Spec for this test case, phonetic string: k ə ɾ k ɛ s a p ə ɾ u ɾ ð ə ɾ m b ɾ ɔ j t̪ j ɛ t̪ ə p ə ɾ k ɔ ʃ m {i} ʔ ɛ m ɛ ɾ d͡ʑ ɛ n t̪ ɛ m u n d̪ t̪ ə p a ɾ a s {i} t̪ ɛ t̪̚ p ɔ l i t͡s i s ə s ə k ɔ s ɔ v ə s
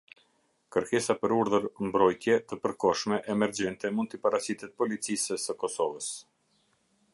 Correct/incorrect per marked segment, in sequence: incorrect, correct

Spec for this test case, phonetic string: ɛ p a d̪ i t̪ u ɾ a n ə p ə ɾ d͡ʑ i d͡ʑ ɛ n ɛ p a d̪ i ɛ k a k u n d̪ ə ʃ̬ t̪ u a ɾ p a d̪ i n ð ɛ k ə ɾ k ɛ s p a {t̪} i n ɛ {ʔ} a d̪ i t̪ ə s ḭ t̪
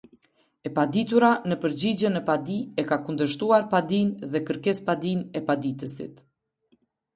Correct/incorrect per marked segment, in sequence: incorrect, incorrect

